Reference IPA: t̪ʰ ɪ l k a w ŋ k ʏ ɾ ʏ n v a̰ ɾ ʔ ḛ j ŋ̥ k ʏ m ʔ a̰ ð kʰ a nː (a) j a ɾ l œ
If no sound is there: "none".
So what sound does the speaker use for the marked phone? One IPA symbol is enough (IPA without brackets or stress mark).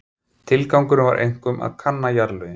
a